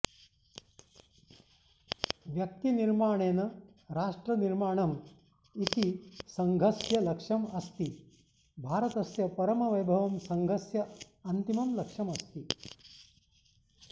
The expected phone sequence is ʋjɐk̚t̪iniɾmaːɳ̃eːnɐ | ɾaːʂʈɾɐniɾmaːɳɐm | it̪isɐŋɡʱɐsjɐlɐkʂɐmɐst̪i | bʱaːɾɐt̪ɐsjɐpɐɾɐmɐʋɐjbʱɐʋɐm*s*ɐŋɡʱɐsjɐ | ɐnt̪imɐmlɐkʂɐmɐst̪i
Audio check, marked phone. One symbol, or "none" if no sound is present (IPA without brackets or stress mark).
s